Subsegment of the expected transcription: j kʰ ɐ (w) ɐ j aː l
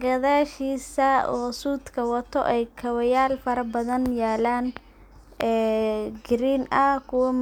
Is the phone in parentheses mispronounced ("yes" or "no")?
no